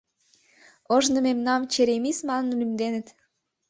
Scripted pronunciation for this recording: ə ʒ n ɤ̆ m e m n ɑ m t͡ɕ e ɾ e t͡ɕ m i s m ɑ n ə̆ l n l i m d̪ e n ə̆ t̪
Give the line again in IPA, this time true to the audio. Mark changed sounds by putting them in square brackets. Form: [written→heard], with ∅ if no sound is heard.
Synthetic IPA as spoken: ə ʒ n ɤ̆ m e m n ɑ m t͡ɕ e ɾ e [t͡ɕ→∅] m i s m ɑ n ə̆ [l→∅] n l [i→y] m d̪ e n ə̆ t̪